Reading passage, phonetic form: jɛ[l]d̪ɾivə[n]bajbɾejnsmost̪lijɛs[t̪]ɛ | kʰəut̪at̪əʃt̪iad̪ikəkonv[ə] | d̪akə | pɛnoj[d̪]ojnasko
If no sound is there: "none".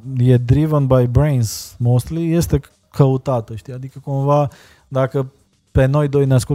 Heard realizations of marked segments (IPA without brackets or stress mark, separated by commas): none, n, t̪, a, d̪